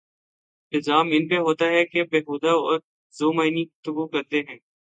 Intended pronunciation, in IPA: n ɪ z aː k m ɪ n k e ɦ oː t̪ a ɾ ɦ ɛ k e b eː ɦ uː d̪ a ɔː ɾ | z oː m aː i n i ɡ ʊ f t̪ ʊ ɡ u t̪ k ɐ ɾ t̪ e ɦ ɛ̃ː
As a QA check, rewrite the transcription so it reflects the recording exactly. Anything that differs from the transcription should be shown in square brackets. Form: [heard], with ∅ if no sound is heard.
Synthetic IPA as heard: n ɪ z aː [∅] m ɪ n [p] e ɦ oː t̪ a [∅] ɦ ɛ k e b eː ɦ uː d̪ a ɔː ɾ | z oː m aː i n i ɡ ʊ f t̪ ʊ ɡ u [∅] k ɐ ɾ t̪ e ɦ ɛ̃ː